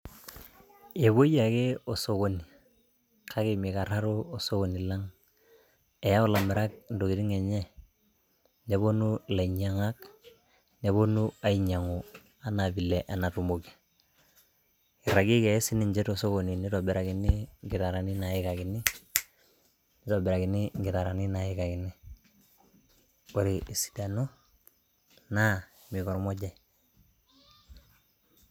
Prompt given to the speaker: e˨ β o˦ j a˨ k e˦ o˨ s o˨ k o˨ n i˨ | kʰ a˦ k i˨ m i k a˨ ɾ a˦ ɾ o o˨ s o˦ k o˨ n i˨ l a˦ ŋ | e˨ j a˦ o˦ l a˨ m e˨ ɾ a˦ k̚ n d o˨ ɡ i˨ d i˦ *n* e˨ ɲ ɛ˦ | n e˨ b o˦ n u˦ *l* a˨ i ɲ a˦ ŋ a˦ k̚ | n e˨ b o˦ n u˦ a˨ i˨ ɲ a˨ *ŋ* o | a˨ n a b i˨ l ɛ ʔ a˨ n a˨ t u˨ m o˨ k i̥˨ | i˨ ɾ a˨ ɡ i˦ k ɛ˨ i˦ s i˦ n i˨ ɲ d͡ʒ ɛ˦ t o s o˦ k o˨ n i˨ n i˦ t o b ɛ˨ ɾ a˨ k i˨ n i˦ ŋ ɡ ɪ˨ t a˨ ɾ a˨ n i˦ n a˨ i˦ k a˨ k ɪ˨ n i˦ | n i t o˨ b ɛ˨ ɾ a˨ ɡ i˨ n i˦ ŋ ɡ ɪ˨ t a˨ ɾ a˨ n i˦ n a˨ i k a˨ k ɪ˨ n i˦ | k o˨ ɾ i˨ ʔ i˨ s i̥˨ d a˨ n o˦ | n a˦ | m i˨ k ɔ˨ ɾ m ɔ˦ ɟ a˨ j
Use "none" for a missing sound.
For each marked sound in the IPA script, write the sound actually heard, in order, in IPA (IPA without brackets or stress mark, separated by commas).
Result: ŋ, l, ŋ